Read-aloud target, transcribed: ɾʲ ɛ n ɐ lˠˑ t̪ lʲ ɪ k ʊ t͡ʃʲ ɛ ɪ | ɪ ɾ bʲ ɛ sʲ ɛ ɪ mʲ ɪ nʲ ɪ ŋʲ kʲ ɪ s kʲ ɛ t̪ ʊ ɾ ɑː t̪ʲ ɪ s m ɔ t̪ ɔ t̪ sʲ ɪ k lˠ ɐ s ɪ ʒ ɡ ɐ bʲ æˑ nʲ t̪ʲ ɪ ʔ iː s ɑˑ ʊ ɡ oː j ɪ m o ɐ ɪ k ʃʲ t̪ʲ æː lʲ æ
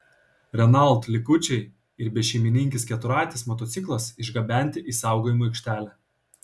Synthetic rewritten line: ɾʲ ɛ n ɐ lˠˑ t̪ lʲ ɪ k ʊ t͡ʃʲ ɛ ɪ | ɪ ɾ bʲ ɛ ʃʲ ɛ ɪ mʲ ɪ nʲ ɪ ŋʲ kʲ ɪ s kʲ ɛ t̪ ʊ ɾ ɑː t̪ʲ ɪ s m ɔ t̪ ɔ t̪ sʲ ɪ k lˠ ɐ s ɪ ʒ ɡ ɐ bʲ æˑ nʲ t̪ʲ ɪ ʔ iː s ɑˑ ʊ ɡ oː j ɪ m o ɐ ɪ k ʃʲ t̪ʲ æː lʲ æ